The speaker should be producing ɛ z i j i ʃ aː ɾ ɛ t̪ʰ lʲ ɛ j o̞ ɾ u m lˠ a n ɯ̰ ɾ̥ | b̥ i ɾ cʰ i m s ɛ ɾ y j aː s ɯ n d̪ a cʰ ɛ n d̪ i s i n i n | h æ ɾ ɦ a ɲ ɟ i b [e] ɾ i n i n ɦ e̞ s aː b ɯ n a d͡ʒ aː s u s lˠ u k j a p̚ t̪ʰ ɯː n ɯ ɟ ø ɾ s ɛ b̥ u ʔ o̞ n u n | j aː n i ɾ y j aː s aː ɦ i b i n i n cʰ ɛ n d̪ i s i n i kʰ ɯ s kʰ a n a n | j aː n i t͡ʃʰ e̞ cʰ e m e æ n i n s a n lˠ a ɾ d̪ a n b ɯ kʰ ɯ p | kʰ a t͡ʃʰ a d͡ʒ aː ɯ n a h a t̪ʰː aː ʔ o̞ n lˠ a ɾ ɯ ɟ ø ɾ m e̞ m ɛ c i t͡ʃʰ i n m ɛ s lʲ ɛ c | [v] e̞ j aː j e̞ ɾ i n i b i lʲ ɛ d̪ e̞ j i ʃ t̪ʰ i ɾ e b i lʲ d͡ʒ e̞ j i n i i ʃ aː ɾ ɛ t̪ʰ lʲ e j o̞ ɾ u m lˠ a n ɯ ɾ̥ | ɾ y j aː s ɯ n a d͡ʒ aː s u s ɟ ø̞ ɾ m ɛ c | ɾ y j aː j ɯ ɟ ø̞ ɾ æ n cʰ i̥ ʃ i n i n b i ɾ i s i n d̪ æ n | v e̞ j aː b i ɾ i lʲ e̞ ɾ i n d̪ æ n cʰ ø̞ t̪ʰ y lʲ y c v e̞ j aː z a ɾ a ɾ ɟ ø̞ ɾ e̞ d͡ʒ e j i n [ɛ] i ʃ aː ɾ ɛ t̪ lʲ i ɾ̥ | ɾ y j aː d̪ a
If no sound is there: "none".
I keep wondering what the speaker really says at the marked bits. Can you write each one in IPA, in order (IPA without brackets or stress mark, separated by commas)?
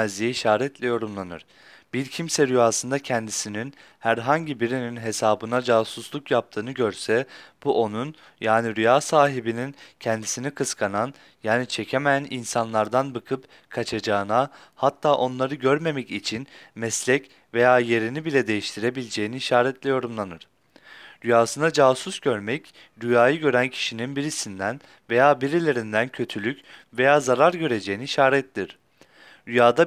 i, v, i